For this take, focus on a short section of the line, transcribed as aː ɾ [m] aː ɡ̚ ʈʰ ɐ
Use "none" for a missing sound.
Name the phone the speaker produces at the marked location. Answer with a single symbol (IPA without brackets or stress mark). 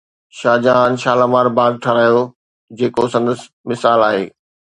b